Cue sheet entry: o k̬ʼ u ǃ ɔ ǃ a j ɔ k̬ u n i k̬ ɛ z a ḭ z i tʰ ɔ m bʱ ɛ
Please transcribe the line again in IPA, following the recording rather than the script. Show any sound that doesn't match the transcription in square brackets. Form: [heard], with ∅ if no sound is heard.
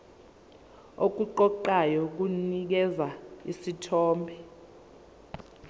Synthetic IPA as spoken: o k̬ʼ u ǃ ɔ ǃ a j ɔ k̬ u n i k̬ ɛ z a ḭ [s] i tʰ [ɔː] m bʱ ɛ